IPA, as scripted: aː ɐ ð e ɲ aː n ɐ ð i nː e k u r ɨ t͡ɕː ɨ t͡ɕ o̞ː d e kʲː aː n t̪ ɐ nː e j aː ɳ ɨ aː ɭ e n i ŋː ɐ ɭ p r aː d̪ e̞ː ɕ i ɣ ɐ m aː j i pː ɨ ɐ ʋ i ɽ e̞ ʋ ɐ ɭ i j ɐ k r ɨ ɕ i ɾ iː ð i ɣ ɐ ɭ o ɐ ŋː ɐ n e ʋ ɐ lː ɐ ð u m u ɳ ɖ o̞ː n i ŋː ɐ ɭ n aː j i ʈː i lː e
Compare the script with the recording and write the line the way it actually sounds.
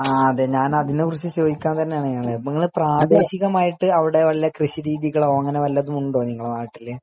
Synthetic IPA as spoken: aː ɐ ð e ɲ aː n ɐ ð i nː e k u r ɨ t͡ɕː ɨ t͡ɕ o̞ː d i kʲː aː n t̪ ɐ nː e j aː ɳ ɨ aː ɭ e n i ŋː ɐ ɭ p r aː d̪ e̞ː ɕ i ɣ ɐ m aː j i ʈː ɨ ɐ ʋ i ɽ e̞ ʋ ɐ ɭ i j ɐ k r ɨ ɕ i ɾ iː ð i ɣ ɐ ɭ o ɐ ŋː ɐ n e ʋ ɐ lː ɐ ð u m u ɳ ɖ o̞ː n i ŋː ɐ ɭ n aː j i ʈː i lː e